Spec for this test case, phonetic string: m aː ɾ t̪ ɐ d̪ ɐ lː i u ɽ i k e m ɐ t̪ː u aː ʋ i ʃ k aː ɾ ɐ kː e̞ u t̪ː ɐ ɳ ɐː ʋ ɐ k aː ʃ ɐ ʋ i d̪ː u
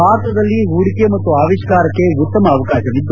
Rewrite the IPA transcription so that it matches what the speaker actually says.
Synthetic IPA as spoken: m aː ɾ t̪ ɐ d̪ ɐ lː i u ɽ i k e m ɐ t̪ː u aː ʋ i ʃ k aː ɾ ɐ kː e̞ u t̪ː ɐ m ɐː ʋ ɐ k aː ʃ ɐ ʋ i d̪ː u